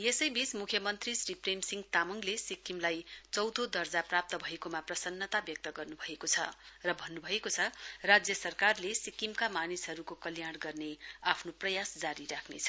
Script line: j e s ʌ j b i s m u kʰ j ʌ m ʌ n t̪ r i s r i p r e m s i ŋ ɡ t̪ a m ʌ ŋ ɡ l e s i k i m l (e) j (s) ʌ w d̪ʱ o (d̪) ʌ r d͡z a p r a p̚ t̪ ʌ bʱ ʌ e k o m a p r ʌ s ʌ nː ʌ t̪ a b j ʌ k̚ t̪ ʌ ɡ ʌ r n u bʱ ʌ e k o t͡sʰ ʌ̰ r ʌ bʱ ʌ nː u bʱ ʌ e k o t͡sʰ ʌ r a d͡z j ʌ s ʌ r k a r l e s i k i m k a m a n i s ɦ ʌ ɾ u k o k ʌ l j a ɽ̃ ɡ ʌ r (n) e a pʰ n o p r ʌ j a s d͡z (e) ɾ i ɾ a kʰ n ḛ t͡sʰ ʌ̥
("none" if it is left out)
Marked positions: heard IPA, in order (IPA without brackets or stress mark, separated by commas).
a, t͡s, d̪, n, a